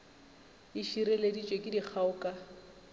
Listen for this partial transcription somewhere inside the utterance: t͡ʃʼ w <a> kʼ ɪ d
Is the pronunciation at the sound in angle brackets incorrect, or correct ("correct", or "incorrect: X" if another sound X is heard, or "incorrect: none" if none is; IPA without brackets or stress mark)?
incorrect: e